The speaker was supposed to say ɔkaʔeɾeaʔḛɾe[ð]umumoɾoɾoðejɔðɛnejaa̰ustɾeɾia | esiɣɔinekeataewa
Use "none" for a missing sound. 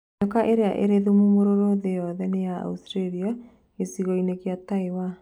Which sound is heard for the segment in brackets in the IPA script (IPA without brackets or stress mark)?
ð